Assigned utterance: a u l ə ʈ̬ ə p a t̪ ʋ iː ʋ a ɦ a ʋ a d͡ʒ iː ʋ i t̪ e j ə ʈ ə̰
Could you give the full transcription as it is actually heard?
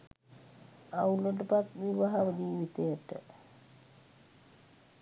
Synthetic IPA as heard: a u l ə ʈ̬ ə p a t̪ ʋ i ʋ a ɦ a ʋ ə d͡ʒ iː ʋ i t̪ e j ə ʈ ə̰